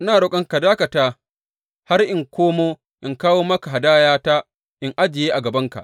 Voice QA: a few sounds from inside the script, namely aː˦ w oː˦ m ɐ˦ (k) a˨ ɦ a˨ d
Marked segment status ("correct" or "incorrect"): correct